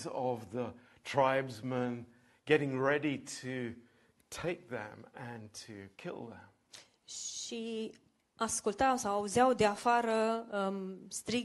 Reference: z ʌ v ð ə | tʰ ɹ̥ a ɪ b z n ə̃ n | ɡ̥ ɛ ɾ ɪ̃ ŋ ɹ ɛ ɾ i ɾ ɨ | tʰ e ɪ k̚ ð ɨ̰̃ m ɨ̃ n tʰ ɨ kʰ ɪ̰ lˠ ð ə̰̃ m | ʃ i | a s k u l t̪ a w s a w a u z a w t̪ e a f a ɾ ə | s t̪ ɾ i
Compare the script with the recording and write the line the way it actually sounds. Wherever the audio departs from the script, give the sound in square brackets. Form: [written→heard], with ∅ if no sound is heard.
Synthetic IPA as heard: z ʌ v ð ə | tʰ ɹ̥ a ɪ b z [n→m] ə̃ n | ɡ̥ ɛ ɾ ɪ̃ ŋ ɹ ɛ ɾ i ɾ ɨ | tʰ e ɪ k̚ ð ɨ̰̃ m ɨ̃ n tʰ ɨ kʰ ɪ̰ lˠ ð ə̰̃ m | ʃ i | a s k u l t̪ a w s a w a u z a w [t̪→d̪] e a f a ɾ ə | s t̪ ɾ i